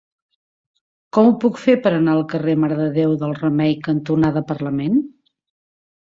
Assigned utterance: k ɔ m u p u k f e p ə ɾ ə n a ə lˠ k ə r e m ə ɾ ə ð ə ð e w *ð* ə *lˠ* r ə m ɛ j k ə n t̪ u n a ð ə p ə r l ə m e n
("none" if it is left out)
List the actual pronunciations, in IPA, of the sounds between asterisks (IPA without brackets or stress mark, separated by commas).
ð, lˠ